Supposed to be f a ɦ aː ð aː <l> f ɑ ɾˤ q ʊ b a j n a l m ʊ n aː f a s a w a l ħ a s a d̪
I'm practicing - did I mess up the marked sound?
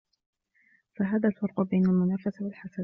no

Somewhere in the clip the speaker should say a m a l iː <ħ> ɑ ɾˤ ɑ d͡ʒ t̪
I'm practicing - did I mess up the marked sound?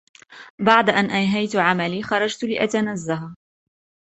yes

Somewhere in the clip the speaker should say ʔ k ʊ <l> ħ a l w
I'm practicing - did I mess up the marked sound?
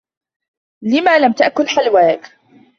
no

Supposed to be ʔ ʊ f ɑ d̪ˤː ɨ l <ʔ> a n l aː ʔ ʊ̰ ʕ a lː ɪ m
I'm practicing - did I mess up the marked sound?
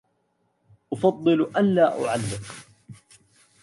no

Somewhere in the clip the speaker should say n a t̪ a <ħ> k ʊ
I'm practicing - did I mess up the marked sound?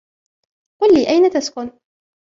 yes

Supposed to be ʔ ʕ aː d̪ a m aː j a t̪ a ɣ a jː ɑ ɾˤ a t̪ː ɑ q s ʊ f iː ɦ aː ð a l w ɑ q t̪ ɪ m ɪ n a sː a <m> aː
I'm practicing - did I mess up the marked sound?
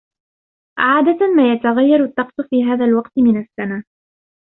yes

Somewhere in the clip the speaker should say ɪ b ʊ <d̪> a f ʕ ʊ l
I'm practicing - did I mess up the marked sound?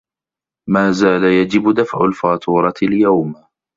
no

